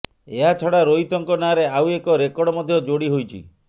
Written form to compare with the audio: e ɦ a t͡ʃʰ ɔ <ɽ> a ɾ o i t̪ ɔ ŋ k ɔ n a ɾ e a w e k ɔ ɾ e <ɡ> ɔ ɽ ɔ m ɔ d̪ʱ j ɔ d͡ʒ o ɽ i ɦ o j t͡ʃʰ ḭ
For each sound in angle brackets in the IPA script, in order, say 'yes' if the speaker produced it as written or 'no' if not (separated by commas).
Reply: yes, no